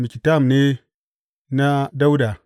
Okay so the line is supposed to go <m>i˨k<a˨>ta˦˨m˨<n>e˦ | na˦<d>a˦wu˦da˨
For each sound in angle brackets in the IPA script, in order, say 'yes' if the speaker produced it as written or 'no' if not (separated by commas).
yes, no, yes, yes